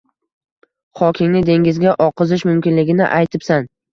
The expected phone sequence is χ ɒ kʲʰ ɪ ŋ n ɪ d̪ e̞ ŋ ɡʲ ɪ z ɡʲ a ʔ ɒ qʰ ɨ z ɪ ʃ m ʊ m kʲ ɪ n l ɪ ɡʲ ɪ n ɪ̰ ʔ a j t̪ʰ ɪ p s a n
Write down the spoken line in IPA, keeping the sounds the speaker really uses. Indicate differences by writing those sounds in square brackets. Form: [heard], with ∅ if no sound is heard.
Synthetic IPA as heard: χ ɒ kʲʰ ɪ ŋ n ɪ d̪ e̞ ŋ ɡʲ ɪ z ɡʲ a ʔ ɒ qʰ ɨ z ɪ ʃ m ʊ m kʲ ɪ n l ɪ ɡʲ ɪ n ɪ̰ ʔ a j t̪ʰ ɪ p s a n